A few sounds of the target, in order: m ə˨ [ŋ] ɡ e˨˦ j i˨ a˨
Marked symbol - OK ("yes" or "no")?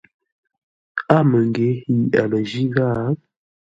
yes